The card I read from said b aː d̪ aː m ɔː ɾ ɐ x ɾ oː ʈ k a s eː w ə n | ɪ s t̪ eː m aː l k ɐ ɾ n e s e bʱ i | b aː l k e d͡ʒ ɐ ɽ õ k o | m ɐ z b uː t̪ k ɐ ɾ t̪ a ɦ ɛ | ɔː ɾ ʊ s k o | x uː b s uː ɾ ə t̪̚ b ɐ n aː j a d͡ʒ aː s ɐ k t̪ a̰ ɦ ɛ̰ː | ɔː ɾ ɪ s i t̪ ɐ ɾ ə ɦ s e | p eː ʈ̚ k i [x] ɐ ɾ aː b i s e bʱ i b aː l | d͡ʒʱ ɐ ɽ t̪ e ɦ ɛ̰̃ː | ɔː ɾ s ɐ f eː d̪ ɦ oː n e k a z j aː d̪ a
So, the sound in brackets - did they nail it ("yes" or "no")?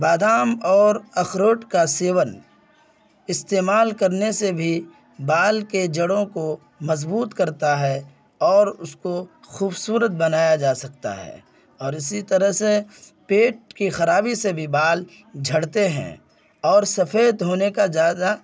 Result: yes